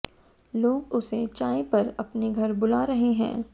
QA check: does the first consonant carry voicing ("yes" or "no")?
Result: yes